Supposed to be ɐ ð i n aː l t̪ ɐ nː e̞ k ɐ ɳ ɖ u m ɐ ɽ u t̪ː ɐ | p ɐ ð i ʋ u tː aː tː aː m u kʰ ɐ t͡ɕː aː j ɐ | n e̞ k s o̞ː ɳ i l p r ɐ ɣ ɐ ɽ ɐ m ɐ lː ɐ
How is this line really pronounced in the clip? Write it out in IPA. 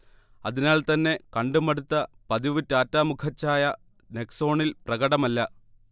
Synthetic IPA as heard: ɐ ð i n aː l t̪ ɐ nː e̞ k ɐ ɳ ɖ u m ɐ ɽ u t̪ː ɐ | p ɐ ð i ʋ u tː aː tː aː m u kʰ ɐ t͡ɕː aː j ɐ | n e̞ k s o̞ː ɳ i l p r ɐ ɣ ɐ ɽ ɐ m ɐ lː ɐ

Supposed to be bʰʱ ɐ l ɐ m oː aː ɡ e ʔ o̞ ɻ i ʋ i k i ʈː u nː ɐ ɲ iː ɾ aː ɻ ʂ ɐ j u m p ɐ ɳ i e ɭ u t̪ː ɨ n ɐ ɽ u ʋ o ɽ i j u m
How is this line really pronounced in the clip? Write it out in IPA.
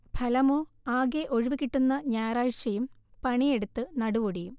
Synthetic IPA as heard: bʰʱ ɐ l ɐ m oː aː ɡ e ʔ o̞ ɻ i ʋ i k i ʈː u nː ɐ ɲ aː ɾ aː ɻ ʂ ɐ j u m p ɐ ɳ i e ɽ u t̪ː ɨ n ɐ ɽ u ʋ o ɽ i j u m

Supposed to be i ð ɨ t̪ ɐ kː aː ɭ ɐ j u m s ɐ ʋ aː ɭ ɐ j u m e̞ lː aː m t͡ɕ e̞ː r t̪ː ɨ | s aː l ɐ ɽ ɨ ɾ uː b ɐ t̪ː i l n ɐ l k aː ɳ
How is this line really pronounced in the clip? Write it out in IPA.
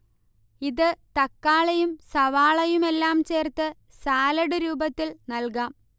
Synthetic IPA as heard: i ð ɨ t̪ ɐ kː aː ɭ ɐ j u m s ɐ ʋ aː ɭ ɐ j u m e̞ lː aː m t͡ɕ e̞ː r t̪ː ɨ | s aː l ɐ ɽ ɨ ɾ uː b ɐ t̪ː i l n ɐ l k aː m

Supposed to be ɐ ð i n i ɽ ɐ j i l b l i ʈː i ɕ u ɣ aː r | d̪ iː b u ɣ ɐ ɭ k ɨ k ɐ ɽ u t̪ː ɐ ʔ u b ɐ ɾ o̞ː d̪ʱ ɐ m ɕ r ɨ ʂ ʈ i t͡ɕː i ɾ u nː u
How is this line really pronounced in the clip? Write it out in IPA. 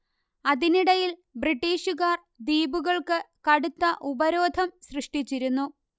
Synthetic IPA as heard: ɐ ð i n i ɽ ɐ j i l b r i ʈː iː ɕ u ɣ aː r | d̪ iː b u ɣ ɐ ɭ k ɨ k ɐ ɽ u t̪ː ɐ ʔ u b ɐ ɾ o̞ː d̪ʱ ɐ m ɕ r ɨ ʂ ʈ i t͡ɕː i ɾ u nː u

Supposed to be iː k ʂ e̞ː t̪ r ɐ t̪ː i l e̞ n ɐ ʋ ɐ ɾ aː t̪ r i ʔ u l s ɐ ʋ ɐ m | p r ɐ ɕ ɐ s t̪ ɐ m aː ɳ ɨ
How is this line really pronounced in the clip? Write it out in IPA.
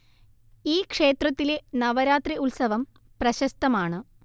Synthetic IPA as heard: iː k ʂ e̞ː t̪ r ɐ t̪ː i l e̞ n ɐ ʋ ɐ ɾ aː t̪ r i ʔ u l s ɐ ʋ ɐ m | p r ɐ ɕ ɐ s t̪ ɐ m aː ɳ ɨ

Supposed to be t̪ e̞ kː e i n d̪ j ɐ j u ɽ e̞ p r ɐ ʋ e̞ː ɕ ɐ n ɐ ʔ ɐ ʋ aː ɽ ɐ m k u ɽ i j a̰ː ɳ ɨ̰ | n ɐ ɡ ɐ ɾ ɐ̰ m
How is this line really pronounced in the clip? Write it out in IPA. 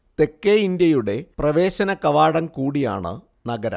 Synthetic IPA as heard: t̪ e̞ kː e i n d̪ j ɐ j u ɽ e̞ p r ɐ ʋ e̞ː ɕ ɐ n ɐ k ɐ ʋ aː ɽ ɐ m k uː ɽ i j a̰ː ɳ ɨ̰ | n ɐ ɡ ɐ ɾ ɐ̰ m

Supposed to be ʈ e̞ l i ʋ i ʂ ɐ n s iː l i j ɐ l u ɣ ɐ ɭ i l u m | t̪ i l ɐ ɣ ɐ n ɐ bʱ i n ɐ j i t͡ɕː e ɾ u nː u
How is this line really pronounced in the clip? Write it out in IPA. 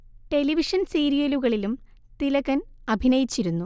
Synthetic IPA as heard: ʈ e̞ l i ʋ i ʂ ɐ n s iː ɾ i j ɐ l u ɣ ɐ ɭ i l u m | t̪ i l ɐ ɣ ɐ n ɐ bʱ i n ɐ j i t͡ɕː i ɾ u nː u

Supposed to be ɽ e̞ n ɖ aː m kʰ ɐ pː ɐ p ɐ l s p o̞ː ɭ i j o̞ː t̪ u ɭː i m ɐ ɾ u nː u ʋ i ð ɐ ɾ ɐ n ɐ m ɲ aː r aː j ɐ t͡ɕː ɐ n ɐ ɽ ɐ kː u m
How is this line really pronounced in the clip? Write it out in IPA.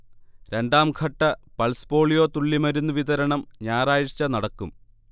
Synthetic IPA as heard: ɾ e̞ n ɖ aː m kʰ ɐ ʈː ɐ p ɐ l s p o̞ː ɭ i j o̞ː t̪ u ɭː i m ɐ ɾ u nː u ʋ i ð ɐ ɾ ɐ ɳ ɐ m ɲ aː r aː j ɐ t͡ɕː ɐ n ɐ ɽ ɐ kː u m

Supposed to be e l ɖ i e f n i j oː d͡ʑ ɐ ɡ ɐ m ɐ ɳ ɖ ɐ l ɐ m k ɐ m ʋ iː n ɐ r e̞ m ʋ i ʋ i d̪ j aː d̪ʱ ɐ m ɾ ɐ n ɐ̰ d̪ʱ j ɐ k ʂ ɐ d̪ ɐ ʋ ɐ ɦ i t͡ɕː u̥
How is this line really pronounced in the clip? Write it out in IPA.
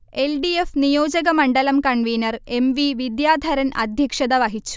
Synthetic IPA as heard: e l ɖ i e f n i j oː d͡ʑ ɐ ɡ ɐ m ɐ ɳ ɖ ɐ l ɐ m k ɐ ɳ ʋ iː n ɐ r e̞ m ʋ i ʋ i d̪ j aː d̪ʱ ɐ ɾ ɐ n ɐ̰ d̪ʱ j ɐ k ʂ ɐ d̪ ɐ ʋ ɐ ɦ i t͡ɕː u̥

